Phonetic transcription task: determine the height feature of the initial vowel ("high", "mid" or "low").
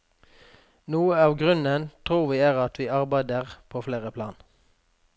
high